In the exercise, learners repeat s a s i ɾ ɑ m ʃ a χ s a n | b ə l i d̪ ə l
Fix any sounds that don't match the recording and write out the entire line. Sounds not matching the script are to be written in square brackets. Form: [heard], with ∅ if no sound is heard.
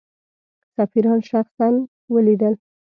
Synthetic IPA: s a [f] i ɾ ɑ [n] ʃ a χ s a n | [w] ə l i d̪ ə l